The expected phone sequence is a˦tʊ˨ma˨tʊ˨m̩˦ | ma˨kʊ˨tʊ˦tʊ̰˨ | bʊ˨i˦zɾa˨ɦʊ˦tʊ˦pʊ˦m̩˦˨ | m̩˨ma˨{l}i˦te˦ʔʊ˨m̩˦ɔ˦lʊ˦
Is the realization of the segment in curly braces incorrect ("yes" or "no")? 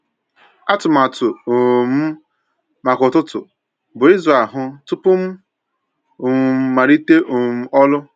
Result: yes